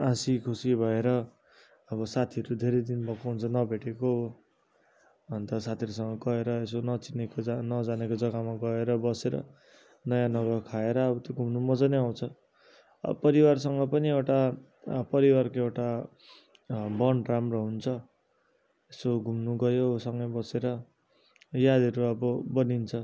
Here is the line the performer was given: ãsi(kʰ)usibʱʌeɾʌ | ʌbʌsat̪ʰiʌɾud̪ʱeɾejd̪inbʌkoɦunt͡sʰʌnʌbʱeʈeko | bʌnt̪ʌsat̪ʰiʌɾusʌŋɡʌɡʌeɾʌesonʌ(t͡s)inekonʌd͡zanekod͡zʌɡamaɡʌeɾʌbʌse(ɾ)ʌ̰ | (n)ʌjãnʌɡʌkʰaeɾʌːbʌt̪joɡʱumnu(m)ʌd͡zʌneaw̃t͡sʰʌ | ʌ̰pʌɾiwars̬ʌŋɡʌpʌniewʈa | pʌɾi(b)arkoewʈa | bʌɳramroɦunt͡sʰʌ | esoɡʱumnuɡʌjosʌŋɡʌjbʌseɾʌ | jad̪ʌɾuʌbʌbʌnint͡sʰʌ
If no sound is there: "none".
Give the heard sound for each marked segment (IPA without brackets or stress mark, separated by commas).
kʰ, t͡s, ɾ, n, m, w